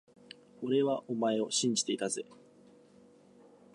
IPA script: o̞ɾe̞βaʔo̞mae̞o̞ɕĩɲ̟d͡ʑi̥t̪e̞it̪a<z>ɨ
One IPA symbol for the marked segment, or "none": z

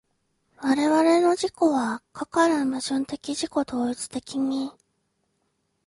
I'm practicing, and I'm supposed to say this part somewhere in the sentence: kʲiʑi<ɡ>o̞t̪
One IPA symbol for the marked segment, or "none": k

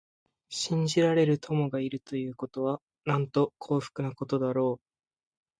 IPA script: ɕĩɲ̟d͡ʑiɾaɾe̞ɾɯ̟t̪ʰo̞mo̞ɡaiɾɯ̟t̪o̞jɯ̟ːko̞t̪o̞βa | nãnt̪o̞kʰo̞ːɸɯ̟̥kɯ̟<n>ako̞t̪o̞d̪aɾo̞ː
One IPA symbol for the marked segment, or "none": n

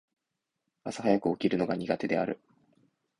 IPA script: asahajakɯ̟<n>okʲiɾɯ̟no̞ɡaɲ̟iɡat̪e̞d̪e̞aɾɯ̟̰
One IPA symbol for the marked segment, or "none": none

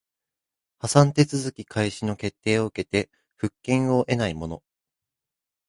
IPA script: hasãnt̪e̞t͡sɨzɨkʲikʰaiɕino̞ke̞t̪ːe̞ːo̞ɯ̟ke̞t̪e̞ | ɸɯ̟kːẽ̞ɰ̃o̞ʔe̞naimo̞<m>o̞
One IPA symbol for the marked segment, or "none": n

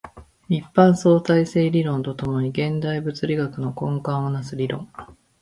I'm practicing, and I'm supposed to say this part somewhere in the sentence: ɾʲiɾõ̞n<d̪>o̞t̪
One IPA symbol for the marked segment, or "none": t̪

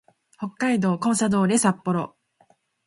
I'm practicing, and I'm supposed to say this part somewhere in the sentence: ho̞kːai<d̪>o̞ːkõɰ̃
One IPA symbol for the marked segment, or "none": d̪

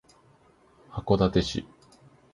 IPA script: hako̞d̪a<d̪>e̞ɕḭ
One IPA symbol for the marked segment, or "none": t̪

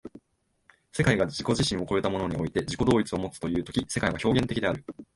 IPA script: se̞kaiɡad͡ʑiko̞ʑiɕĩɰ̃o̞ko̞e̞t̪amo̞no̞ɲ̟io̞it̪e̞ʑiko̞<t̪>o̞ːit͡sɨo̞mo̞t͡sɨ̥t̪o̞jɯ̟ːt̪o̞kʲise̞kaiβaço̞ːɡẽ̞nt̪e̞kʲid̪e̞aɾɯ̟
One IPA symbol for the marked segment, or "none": d̪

